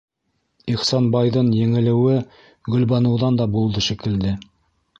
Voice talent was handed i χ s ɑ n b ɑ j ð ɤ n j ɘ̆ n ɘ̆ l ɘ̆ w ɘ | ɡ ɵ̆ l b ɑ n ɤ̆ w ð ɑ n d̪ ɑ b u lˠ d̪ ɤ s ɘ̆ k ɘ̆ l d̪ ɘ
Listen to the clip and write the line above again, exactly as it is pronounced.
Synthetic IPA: i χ s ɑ n b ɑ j ð ɤ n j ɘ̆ ŋ ɘ̆ l ɘ̆ w ɘ | ɡ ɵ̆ l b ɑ n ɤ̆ w ð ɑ n d̪ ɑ b u lˠ d̪ ɤ ʃ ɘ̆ k ɘ̆ l d̪ ɘ